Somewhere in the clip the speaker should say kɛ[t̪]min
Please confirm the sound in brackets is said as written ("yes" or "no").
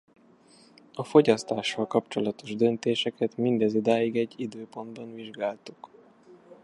yes